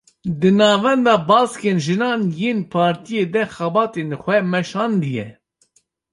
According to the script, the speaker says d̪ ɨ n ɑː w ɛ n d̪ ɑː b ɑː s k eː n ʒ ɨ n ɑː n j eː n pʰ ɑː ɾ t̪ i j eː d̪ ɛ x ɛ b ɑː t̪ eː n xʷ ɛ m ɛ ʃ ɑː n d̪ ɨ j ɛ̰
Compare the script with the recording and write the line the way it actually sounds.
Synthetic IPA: d̪ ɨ n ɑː v ɛ n d̪ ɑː b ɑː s k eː n ʒ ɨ n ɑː n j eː n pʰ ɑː ɾ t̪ i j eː d̪ ɛ x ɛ b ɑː t̪ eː n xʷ ɛ m ɛ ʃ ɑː n d̪ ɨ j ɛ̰